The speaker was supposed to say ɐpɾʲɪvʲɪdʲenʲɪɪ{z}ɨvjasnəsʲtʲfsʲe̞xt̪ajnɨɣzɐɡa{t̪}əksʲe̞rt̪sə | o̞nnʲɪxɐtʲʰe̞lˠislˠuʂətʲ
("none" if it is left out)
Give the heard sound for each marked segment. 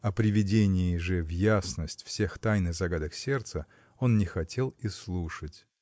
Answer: ʐ, d̪

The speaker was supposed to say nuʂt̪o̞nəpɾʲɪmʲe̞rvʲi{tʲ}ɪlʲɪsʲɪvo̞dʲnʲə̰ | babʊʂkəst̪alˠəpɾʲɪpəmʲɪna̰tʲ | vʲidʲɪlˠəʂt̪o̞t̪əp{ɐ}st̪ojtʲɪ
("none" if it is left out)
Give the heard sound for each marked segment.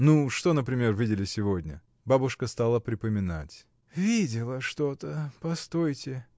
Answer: dʲ, ɐ

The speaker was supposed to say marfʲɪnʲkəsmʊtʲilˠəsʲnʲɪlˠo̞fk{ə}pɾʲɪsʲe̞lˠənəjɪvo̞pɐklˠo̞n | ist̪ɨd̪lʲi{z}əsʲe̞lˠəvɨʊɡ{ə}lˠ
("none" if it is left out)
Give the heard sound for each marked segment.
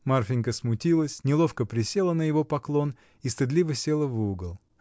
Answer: ə, v, ə

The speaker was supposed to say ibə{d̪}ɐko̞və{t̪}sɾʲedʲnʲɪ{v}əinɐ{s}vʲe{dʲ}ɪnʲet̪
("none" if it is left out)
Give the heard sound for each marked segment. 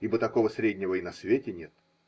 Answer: t̪, none, v, s, tʲ

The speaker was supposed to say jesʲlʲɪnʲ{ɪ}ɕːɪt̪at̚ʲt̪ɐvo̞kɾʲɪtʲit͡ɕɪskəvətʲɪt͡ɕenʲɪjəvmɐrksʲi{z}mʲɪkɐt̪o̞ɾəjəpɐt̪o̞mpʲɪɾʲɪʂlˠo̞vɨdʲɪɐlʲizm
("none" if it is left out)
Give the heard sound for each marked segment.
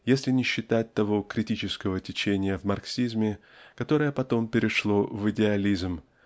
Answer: ɪ, z

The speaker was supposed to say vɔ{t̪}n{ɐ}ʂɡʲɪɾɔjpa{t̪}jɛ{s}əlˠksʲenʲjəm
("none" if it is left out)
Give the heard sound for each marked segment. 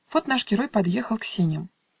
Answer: t̪, a, d̪, x

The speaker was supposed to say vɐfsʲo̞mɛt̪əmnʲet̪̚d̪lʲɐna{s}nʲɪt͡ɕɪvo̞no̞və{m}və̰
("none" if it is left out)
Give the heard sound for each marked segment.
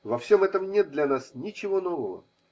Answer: s, none

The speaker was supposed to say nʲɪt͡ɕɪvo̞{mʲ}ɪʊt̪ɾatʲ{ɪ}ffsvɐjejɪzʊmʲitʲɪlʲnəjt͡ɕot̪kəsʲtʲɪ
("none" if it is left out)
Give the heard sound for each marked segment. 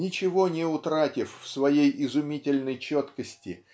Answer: nʲ, ɪ

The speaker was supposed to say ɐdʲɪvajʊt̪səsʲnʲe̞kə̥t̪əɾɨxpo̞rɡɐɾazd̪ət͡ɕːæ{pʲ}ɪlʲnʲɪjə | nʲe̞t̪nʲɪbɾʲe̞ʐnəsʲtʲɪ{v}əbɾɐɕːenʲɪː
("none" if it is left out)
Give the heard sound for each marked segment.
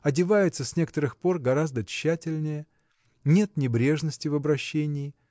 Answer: tʲ, v

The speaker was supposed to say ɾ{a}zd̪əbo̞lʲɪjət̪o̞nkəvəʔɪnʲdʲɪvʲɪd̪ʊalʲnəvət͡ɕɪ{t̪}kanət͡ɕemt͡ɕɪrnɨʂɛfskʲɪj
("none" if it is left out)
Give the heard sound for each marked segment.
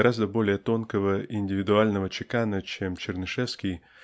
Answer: a, none

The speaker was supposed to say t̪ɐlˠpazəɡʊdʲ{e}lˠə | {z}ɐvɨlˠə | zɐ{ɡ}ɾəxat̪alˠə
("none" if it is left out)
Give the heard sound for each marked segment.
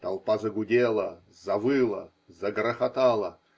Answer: e, z, ɡ

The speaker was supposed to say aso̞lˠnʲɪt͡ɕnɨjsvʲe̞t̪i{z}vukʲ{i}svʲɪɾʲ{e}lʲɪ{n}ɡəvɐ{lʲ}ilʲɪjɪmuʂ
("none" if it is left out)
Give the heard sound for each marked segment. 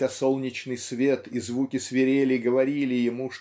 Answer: z, ɪ, e, none, ɾʲ

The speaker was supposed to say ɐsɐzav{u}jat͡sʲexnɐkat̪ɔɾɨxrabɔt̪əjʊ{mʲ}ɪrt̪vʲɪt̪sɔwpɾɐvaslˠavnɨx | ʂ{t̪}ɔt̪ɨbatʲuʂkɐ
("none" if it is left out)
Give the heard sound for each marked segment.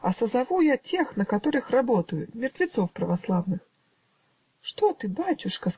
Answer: u, mʲ, t̪

